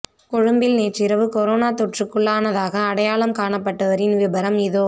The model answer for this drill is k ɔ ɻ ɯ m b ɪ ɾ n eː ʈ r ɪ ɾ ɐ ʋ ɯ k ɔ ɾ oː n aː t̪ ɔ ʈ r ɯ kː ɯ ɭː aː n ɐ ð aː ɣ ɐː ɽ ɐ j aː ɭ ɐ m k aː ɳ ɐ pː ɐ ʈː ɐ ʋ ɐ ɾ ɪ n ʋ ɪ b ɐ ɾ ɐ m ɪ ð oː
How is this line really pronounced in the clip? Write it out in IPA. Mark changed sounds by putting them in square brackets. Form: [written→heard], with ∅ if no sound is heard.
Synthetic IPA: k ɔ ɻ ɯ m b ɪ [ɾ→l] n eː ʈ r ɪ ɾ ɐ ʋ ɯ k ɔ ɾ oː n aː t̪ ɔ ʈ r ɯ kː ɯ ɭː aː n ɐ ð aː ɣ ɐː ɽ ɐ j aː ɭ ɐ m k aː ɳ ɐ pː ɐ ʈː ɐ ʋ ɐ ɾ ɪ n ʋ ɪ b ɐ ɾ ɐ m ɪ ð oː